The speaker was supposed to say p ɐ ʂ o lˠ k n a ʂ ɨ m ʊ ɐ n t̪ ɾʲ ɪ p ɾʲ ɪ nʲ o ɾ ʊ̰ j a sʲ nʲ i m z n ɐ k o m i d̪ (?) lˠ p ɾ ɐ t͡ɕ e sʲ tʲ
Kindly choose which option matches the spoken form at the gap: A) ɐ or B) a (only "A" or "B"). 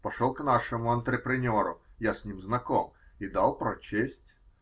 B